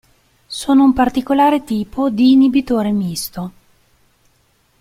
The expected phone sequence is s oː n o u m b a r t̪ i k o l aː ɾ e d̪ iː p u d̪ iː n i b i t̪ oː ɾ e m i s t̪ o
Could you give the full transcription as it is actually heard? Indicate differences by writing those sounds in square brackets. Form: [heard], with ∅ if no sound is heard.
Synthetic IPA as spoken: s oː n o u m [p] a r t̪ i k o l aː ɾ e [t̪] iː p [o] d̪ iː n i b i t̪ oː ɾ e m i s t̪ o